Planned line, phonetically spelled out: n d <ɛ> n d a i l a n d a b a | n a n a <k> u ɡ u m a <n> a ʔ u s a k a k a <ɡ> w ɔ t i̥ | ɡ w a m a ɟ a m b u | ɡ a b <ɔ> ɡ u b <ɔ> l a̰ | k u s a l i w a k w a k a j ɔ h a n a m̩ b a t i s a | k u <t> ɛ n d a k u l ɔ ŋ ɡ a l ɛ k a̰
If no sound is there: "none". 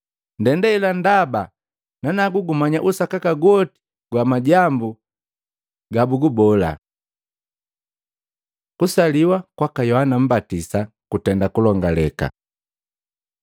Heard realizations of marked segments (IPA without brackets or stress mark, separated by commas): ɛ, ɡ, ɲ, ɡ, u, ɔ, t